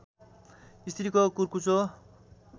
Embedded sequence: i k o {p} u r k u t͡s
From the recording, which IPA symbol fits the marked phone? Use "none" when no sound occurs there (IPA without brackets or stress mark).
k